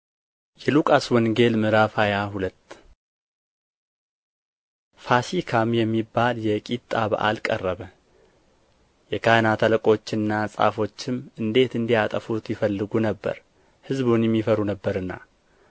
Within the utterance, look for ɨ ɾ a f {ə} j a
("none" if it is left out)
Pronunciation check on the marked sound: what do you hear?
a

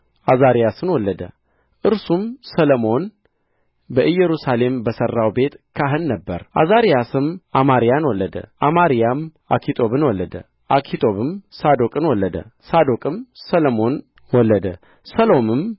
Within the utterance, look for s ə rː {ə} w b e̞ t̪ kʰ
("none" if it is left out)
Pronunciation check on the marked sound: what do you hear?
a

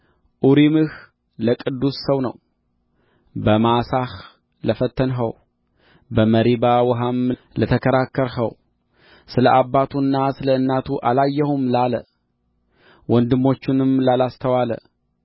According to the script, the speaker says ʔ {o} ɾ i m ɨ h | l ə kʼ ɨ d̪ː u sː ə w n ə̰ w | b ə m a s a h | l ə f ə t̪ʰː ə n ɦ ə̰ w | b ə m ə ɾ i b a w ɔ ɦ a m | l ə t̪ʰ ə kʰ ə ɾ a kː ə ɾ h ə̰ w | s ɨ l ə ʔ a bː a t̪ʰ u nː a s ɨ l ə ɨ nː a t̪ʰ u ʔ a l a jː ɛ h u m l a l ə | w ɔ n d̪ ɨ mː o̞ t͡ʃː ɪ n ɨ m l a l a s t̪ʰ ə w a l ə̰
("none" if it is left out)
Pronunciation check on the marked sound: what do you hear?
u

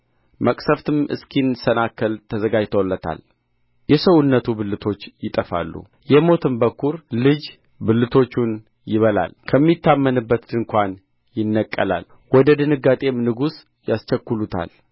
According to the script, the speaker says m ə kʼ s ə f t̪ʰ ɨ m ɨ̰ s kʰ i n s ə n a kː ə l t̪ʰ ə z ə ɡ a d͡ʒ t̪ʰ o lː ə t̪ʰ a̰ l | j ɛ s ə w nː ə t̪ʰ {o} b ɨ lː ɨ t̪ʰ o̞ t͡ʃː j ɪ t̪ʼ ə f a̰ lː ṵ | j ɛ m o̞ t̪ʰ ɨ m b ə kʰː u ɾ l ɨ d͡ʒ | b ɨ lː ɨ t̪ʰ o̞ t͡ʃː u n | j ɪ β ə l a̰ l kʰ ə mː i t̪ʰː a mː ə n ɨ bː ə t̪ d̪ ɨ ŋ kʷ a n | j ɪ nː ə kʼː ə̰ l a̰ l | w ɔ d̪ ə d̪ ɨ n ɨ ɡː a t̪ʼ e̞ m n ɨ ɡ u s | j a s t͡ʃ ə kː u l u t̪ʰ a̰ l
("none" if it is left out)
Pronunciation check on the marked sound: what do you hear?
u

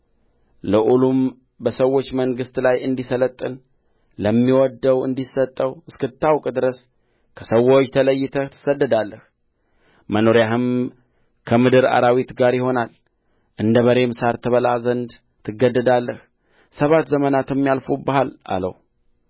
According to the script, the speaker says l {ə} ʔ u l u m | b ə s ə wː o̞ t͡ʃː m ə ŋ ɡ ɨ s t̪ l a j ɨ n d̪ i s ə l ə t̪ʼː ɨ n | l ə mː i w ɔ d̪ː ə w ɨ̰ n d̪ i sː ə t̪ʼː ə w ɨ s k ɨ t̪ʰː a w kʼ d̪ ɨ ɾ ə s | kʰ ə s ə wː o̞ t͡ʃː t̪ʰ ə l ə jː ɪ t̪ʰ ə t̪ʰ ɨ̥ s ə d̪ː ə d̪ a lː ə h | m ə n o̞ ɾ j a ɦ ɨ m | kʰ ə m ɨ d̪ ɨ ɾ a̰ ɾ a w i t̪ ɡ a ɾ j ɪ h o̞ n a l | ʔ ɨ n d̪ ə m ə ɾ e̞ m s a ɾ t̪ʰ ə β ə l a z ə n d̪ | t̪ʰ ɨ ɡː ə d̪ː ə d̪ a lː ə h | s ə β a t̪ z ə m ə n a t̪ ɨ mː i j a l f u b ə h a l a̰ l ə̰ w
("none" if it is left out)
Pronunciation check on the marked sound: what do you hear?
ə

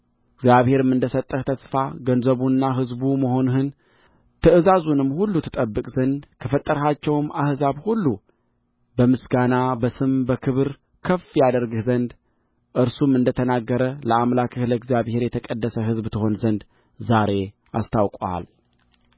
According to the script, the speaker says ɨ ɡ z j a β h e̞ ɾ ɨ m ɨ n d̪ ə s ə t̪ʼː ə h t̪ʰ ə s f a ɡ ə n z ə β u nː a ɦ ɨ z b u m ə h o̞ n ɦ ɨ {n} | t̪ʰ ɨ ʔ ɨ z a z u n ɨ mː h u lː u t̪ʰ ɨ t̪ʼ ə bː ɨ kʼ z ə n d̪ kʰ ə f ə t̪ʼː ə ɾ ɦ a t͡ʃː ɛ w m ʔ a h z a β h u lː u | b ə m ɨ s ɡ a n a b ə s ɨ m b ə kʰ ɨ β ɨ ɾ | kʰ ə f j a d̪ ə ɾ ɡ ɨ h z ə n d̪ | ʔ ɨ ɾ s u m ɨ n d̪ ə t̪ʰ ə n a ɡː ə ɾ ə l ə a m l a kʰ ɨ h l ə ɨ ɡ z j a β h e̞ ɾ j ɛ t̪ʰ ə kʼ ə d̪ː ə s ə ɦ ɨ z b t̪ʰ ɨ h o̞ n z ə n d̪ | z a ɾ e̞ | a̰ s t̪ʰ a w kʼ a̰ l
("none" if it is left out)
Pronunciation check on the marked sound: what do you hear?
n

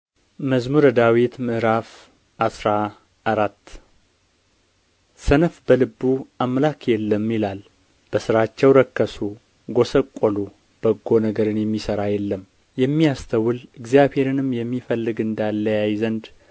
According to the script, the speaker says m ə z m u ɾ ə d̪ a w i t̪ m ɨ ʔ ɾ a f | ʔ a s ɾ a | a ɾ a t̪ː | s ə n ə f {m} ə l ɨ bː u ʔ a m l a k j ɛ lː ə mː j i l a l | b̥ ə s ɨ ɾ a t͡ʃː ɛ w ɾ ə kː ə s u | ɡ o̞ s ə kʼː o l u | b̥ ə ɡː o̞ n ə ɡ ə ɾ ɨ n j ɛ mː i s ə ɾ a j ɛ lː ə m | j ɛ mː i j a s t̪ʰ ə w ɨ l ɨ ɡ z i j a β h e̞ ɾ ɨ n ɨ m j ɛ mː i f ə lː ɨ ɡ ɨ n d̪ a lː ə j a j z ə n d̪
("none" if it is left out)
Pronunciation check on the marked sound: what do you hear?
b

